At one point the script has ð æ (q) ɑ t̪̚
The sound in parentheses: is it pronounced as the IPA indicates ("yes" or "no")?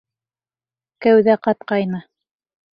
yes